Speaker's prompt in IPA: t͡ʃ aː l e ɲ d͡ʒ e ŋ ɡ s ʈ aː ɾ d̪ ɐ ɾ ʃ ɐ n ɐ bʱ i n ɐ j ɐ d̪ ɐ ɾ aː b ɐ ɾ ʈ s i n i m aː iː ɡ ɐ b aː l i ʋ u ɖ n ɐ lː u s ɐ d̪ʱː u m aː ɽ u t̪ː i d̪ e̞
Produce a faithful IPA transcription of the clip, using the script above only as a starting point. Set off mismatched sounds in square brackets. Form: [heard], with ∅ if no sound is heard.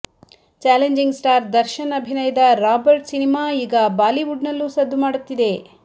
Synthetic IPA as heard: t͡ʃ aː l e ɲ d͡ʒ [i] ŋ ɡ s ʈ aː ɾ d̪ ɐ ɾ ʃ ɐ n ɐ bʱ i n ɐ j ɐ d̪ ɐ ɾ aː b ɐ ɾ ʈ s i n i m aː iː ɡ ɐ b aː l i ʋ u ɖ n ɐ lː u s ɐ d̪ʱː u m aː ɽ u t̪ː i d̪ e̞